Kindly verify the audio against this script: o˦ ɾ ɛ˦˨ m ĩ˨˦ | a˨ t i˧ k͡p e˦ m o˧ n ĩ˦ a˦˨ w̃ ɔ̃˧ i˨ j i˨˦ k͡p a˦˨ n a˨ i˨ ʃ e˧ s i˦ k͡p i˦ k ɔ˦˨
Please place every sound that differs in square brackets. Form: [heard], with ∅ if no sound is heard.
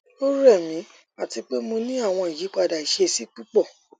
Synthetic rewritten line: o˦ ɾ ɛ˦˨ m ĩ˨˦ | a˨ t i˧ k͡p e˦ m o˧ n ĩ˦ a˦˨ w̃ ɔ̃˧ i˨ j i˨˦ k͡p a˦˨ [d] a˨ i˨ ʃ e˧ s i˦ k͡p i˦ [k͡p] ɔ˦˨